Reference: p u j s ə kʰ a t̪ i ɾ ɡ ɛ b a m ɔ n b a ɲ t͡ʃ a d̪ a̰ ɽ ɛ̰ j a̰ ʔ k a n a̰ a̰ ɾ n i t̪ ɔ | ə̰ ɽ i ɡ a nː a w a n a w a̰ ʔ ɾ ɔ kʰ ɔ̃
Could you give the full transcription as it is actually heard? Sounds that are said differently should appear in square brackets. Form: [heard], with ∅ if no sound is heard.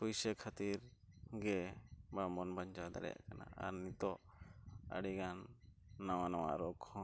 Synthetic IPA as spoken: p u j s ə kʰ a t̪ i ɾ ɡ ɛ b a m ɔ n b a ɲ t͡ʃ a d̪ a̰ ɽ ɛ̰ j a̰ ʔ k a n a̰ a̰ ɾ n i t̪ ɔ | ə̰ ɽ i ɡ a nː a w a n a w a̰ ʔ ɾ ɔ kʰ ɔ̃